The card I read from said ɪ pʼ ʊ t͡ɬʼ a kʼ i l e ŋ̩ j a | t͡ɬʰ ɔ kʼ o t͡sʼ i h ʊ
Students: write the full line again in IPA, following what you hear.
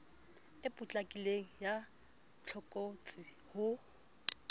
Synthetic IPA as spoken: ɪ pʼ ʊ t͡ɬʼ a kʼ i l e ŋ̩ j a | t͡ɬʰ ɔ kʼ o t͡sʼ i h ʊ